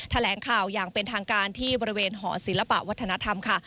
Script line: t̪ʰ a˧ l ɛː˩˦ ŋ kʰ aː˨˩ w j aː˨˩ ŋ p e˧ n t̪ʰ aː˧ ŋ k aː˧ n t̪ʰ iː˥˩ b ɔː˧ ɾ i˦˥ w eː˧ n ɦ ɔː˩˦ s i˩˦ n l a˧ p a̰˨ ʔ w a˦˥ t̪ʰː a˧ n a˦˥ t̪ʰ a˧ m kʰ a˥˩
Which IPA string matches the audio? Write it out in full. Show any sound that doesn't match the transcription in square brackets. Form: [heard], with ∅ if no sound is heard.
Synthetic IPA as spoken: t̪ʰ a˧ l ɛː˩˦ ŋ kʰ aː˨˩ w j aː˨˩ ŋ p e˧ n t̪ʰ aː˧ ŋ k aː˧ n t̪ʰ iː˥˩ b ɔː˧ ɾ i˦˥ w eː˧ n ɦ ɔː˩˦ s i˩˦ n l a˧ p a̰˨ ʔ w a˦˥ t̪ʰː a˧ n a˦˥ t̪ʰ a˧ m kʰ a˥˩